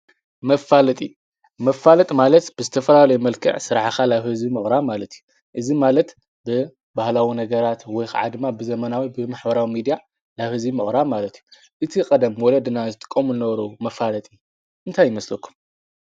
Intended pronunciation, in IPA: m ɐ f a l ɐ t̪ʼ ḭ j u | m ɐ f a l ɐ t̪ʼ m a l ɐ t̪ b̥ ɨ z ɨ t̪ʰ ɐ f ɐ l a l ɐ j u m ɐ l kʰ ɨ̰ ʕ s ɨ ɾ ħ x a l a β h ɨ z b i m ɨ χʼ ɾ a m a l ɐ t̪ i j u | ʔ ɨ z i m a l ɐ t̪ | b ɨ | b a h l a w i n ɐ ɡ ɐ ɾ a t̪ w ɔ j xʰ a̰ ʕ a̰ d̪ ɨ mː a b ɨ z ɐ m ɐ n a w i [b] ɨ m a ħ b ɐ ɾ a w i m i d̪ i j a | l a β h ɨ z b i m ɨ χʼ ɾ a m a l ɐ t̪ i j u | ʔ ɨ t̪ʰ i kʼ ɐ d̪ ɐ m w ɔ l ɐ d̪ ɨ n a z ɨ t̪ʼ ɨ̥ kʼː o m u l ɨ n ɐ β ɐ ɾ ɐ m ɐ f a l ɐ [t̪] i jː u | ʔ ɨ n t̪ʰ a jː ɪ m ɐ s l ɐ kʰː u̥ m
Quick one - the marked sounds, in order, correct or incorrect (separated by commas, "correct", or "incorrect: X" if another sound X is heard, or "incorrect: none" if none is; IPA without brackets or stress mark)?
correct, incorrect: t̪ʼ